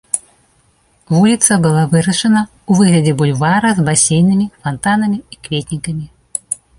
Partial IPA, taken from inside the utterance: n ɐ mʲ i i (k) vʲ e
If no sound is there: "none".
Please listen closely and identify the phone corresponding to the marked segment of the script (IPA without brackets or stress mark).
k